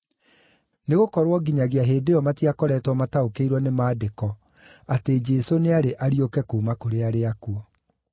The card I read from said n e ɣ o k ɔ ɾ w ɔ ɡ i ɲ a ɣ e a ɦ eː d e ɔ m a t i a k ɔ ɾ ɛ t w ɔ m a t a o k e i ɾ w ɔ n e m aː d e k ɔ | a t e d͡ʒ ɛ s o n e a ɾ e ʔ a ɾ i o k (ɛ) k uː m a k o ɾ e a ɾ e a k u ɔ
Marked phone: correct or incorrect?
correct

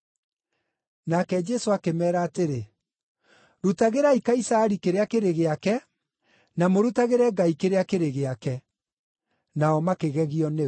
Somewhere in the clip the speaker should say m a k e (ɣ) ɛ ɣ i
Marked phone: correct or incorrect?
correct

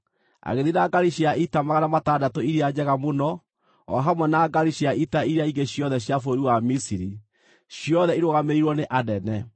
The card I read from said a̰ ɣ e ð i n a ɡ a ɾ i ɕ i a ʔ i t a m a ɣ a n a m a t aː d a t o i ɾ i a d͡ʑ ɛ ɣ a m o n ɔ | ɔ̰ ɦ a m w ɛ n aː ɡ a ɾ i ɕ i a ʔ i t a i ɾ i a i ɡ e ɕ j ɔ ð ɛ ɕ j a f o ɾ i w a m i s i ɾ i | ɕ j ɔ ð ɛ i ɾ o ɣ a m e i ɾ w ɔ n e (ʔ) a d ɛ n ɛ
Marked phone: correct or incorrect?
correct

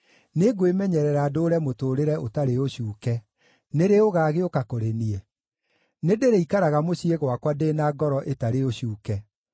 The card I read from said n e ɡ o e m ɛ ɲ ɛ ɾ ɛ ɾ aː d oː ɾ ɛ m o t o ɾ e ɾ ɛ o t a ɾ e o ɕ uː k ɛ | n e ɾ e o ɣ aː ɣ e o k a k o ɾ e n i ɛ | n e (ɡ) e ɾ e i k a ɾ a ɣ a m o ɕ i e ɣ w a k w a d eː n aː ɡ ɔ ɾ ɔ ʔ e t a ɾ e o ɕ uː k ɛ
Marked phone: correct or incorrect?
incorrect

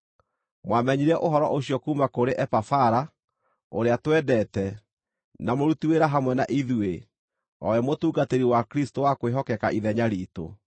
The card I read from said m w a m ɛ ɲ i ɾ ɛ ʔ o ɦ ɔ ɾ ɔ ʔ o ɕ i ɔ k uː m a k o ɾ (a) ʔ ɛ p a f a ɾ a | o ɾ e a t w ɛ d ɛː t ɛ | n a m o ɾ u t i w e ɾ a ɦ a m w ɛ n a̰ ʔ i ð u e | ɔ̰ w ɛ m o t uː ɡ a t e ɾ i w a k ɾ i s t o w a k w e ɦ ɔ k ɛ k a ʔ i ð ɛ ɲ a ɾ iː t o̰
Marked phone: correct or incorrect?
incorrect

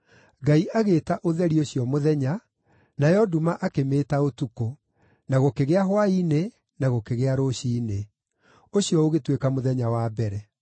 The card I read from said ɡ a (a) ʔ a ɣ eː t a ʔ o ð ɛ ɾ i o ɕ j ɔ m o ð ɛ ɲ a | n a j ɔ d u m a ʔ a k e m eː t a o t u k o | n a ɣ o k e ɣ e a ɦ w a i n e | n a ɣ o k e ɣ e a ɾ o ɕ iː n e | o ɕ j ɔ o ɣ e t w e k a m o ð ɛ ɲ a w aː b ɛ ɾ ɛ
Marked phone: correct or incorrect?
incorrect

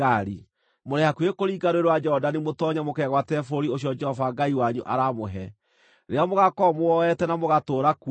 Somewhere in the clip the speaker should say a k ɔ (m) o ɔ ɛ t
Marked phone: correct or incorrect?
correct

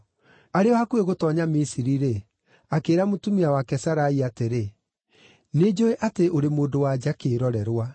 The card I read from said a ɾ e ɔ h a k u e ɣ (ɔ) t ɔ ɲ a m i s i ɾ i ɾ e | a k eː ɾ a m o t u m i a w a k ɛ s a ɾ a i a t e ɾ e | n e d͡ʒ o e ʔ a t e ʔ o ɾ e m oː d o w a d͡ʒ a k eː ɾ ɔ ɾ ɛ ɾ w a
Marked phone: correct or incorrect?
incorrect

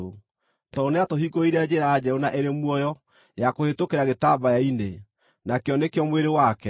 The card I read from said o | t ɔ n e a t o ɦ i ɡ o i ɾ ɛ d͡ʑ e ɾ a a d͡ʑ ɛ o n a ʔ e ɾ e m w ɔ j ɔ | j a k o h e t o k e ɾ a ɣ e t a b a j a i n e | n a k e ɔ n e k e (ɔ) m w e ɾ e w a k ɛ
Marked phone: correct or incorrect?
correct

